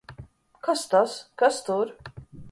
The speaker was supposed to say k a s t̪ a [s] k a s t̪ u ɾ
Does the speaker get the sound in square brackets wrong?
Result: no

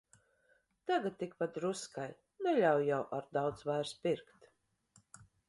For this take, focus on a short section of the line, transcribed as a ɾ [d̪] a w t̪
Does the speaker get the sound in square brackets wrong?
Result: no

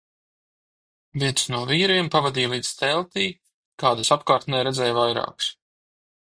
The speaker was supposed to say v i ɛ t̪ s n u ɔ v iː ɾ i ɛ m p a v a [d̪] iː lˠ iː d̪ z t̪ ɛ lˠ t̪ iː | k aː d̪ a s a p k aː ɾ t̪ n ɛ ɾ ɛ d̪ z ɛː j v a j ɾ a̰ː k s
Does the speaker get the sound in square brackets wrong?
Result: no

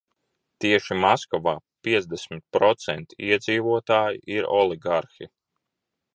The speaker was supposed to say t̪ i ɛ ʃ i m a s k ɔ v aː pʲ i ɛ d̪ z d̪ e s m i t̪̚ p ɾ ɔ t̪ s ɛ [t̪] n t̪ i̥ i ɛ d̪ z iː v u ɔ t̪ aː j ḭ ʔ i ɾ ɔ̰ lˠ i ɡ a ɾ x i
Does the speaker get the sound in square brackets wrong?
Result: yes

